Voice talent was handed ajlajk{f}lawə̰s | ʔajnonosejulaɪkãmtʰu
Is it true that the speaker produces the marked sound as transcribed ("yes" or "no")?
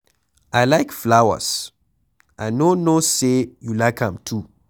yes